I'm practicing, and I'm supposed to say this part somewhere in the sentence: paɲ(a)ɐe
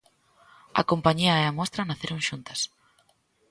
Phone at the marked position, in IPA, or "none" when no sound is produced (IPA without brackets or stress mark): i